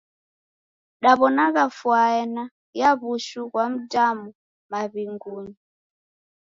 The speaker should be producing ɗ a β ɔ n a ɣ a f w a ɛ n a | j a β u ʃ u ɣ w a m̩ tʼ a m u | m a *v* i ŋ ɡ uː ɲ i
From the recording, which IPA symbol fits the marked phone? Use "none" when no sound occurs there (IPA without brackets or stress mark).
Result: β